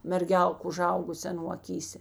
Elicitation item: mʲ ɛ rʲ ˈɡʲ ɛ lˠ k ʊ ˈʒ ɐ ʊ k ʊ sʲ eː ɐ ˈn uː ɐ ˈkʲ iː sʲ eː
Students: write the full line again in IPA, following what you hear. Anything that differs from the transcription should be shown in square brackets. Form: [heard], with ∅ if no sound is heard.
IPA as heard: mʲ ɛ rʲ ˈɡʲ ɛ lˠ k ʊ ˈʒ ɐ ʊ [ɡ] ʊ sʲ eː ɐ ˈn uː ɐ ˈkʲ iː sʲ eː